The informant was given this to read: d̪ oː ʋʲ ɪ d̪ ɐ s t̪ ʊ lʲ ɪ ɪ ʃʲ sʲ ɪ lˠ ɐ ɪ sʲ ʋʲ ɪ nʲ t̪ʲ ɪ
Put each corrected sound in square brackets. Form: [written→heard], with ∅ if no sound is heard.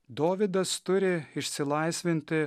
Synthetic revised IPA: d̪ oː ʋʲ ɪ d̪ ɐ s t̪ ʊ [lʲ→ɾʲ] ɪ ɪ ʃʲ sʲ ɪ lˠ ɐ ɪ sʲ ʋʲ ɪ nʲ t̪ʲ ɪ